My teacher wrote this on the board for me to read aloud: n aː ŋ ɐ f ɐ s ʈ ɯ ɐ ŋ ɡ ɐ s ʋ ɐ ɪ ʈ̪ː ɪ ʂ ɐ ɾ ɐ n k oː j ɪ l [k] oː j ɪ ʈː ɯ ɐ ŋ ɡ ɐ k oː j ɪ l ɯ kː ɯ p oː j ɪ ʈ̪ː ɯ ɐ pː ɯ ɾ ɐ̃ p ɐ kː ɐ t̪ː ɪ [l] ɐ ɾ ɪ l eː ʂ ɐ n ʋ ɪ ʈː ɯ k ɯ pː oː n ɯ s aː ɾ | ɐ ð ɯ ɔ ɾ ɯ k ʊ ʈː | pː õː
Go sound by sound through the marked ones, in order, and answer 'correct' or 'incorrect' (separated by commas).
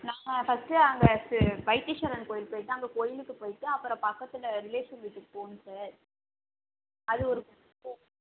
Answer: incorrect, correct